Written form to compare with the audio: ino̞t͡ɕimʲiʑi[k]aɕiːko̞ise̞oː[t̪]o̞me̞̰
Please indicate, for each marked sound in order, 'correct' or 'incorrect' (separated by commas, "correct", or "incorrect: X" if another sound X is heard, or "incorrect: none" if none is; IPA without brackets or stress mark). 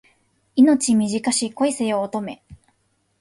correct, correct